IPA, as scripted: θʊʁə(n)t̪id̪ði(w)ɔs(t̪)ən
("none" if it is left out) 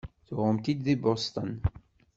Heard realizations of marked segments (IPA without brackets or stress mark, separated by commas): m, b, t̪